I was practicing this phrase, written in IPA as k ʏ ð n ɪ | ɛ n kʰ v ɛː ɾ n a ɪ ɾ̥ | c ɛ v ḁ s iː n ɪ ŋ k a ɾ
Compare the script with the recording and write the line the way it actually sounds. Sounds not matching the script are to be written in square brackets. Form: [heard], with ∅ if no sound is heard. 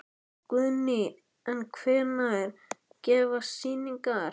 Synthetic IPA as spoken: k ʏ ð n ɪ | ɛ n kʰ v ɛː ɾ n a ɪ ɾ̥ | c [ɛː] v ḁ s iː n [i] ŋ k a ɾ